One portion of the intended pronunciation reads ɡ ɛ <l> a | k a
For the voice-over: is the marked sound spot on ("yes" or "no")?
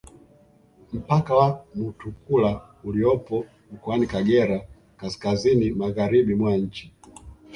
no